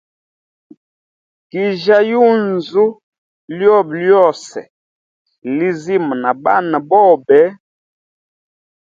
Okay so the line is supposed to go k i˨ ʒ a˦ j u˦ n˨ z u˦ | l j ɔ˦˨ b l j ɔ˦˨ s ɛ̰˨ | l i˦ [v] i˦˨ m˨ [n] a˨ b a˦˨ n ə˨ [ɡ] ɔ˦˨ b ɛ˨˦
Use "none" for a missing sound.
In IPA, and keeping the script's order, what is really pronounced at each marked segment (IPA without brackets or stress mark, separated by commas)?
z, n, b